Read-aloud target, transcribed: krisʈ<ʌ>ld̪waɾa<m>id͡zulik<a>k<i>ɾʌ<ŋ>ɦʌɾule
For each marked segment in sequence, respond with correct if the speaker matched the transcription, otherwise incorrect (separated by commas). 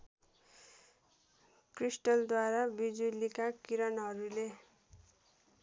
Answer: correct, incorrect, correct, correct, incorrect